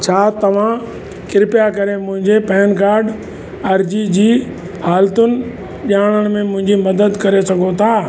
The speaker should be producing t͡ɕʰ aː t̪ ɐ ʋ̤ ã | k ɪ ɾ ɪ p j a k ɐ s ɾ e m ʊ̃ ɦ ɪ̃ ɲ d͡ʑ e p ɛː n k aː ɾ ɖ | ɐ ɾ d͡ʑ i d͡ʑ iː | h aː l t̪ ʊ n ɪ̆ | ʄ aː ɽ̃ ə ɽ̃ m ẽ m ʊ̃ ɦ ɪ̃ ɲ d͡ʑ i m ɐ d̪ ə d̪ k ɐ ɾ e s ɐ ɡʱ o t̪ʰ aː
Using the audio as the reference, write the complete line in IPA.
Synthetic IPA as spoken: t͡ɕʰ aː t̪ ɐ ʋ̤ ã | k ɪ ɾ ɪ p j a k ɐ ɾ e m ʊ̃ ɦ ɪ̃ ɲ d͡ʑ e p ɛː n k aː ɾ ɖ | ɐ ɾ d͡ʑ i d͡ʑ iː | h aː l t̪ ʊ n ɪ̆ | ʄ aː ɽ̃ ə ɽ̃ m ẽ m ʊ̃ ɦ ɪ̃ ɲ d͡ʑ i m ɐ d̪ ə d̪ k ɐ ɾ e s ɐ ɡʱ o t̪ʰ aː